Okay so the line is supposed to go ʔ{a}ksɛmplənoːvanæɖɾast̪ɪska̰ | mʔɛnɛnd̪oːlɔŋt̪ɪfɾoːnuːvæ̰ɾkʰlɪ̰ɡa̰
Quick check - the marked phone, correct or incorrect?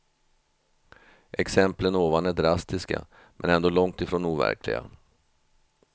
incorrect